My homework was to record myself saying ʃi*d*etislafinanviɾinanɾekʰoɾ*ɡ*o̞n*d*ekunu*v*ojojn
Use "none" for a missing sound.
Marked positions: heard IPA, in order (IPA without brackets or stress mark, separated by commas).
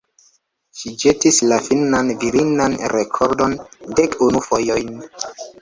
d͡ʒ, d, d, f